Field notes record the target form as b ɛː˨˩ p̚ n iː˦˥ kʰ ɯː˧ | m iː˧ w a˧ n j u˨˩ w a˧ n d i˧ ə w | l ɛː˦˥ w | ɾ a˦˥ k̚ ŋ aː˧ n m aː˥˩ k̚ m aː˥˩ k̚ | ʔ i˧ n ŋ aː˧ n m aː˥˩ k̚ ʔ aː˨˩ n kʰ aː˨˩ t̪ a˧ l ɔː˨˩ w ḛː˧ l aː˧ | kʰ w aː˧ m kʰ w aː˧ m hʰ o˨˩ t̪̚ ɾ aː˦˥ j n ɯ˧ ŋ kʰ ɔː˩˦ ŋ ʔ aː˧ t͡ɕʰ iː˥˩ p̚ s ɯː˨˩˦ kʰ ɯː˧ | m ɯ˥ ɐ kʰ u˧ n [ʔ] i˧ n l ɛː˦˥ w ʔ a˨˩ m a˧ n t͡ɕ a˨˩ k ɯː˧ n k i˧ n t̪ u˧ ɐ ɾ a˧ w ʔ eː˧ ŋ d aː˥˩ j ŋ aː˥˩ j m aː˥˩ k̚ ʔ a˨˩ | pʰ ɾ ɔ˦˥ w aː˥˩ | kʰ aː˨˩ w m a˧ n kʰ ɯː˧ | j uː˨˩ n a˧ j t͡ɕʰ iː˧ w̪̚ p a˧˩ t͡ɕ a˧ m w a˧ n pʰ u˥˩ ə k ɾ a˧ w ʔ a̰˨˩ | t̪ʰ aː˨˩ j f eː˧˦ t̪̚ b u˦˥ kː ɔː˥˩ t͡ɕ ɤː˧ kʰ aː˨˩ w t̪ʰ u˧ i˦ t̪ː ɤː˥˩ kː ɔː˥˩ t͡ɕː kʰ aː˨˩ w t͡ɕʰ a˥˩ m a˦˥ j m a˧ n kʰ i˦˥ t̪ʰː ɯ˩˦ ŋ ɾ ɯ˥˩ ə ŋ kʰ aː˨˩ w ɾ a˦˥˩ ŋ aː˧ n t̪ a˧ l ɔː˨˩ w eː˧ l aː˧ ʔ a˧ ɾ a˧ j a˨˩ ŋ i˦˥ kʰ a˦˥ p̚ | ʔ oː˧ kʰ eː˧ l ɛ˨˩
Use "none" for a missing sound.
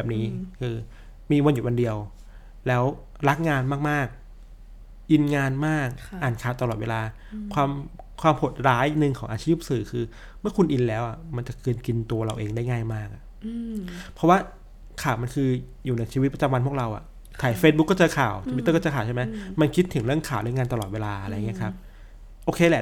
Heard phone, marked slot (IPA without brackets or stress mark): ʔ